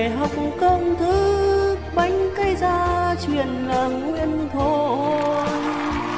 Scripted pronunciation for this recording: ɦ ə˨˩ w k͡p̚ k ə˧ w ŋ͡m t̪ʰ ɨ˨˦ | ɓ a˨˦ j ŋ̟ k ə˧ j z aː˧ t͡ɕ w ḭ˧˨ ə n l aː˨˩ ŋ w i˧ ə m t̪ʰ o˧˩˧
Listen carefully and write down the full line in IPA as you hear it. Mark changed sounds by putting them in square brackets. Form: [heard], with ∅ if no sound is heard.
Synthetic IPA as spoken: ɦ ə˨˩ w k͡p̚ k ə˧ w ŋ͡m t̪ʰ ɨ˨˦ | ɓ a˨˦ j ŋ̟ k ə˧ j z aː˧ t͡ɕ w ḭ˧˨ ə n l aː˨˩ ŋ w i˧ ə [n] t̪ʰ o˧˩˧

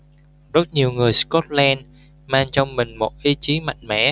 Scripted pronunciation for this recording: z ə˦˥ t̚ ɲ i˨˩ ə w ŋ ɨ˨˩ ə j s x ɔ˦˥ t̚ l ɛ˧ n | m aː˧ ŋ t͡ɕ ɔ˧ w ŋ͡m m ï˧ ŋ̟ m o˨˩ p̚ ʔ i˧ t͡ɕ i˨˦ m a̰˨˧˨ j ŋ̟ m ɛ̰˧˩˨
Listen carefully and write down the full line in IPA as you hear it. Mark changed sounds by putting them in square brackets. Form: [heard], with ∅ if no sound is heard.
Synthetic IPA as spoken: z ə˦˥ t̚ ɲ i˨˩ ə w ŋ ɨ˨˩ ə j s [k] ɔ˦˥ t̚ l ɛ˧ n | m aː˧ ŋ t͡ɕ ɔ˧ w ŋ͡m m [ï˨˩] ŋ̟ m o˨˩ [t̚] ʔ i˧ t͡ɕ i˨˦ m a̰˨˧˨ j ŋ̟ m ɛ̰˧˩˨

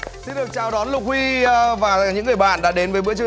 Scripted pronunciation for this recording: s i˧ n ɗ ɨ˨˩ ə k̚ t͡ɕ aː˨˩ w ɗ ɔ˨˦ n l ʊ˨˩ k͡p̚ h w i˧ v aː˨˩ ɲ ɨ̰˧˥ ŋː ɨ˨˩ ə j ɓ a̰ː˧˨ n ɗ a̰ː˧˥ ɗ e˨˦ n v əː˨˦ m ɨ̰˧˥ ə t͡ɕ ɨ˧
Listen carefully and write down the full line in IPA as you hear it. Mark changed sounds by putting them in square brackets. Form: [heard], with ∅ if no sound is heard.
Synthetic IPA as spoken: s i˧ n ɗ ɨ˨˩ ə k̚ t͡ɕ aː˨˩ w ɗ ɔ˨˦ n l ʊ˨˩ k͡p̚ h w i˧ v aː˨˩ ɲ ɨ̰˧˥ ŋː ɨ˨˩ ə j ɓ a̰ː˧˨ n ɗ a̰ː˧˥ ɗ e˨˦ n v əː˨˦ m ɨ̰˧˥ ə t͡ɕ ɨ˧

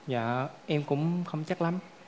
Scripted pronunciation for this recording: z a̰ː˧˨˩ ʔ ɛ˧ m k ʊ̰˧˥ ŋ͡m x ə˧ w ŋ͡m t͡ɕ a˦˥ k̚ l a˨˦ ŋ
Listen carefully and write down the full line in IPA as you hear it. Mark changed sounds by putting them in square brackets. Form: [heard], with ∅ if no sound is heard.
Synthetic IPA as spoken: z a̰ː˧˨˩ ʔ ɛ˧ m k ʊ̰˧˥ ŋ͡m x ə˧ w ŋ͡m t͡ɕ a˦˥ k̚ l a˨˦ [m]

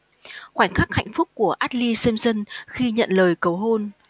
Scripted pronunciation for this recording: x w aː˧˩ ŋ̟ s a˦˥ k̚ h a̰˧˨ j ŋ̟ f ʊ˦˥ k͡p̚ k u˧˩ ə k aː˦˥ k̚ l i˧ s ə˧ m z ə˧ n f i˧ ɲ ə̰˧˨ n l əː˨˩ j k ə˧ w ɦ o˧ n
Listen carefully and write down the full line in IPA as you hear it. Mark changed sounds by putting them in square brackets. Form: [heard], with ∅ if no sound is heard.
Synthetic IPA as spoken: x w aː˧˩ ŋ̟ [x] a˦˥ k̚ h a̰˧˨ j ŋ̟ f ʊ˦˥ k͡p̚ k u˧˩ ə [ʔ] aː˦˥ [t̚] l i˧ s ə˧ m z ə˧ n [x] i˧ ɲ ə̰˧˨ n l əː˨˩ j k [ə˨˩] w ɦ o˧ n

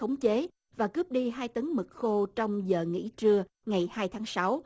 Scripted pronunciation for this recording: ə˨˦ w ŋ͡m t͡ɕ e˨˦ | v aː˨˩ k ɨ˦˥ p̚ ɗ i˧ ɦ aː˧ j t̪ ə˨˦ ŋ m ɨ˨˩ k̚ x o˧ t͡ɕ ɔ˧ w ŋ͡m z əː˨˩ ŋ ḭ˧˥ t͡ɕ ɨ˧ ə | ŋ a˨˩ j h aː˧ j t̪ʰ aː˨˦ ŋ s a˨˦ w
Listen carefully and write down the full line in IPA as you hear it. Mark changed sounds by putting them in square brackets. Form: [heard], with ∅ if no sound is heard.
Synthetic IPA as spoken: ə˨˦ w ŋ͡m t͡ɕ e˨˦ | v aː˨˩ k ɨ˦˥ p̚ ɗ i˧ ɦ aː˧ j t̪ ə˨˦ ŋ m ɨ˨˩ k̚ x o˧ t͡ɕ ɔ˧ w ŋ͡m z əː˨˩ ŋ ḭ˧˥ t͡ɕ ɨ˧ ə | ŋ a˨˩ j h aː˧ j t̪ʰ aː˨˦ ŋ s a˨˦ w

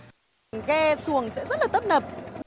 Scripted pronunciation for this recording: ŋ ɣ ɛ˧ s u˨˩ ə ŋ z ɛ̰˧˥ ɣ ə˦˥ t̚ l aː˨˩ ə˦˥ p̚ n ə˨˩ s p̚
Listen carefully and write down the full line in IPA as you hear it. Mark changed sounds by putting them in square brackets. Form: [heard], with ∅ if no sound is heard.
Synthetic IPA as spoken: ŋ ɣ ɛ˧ s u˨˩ ə ŋ [s] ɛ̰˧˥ [z] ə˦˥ t̚ l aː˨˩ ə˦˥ p̚ n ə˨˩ [∅] p̚

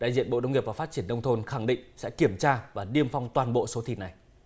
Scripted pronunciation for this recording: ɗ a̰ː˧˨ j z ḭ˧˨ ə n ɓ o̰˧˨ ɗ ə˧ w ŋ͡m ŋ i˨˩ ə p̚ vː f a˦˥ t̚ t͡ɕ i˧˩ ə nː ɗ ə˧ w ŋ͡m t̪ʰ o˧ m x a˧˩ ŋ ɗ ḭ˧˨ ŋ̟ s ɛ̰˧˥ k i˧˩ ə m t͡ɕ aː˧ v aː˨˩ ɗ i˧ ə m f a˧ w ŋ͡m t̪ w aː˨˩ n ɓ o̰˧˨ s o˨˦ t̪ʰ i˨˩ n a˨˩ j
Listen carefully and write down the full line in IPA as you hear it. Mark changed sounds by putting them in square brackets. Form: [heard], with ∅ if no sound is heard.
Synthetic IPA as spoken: ɗ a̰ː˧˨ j z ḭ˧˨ ə n ɓ o̰˧˨ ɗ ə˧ w ŋ͡m ŋ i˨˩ ə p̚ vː f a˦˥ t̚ t͡ɕ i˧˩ ə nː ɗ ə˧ w ŋ͡m t̪ʰ o˧ [n] x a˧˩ ŋ ɗ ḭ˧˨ ŋ̟ s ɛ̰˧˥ k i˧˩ ə m t͡ɕ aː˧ v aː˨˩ ɗ i˧ ə m f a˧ w ŋ͡m t̪ w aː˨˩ n ɓ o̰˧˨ s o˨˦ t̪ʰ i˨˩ n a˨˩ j

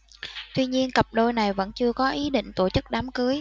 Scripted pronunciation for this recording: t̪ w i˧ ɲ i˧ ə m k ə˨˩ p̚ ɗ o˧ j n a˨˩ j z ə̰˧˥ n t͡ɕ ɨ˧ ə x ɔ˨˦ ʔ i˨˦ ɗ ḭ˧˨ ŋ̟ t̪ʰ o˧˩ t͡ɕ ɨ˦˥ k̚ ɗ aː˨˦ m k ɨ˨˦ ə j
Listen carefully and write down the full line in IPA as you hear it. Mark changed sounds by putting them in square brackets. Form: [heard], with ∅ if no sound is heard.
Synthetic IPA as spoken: t̪ w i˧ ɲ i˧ ə [n] k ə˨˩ p̚ ɗ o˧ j n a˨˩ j [v] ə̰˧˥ n t͡ɕ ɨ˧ ə [k] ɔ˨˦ ʔ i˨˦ ɗ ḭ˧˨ ŋ̟ [t̪] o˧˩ t͡ɕ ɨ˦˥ k̚ ɗ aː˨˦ m k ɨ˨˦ ə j

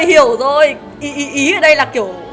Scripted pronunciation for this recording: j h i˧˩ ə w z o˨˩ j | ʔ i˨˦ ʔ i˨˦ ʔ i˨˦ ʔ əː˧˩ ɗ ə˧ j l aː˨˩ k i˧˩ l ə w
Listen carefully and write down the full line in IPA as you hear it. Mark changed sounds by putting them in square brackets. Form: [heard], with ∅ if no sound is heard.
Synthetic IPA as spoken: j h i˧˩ ə w z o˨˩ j | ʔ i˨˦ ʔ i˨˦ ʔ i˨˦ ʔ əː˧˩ ɗ ə˧ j l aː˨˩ k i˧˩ [∅] ə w

